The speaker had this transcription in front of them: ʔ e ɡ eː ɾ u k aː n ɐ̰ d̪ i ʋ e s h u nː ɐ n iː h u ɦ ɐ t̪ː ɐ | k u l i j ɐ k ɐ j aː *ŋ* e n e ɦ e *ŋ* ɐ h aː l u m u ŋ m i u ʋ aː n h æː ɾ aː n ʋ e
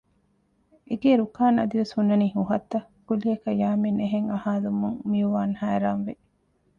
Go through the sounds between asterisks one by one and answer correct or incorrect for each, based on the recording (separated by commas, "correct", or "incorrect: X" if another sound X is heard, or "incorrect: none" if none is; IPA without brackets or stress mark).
incorrect: m, correct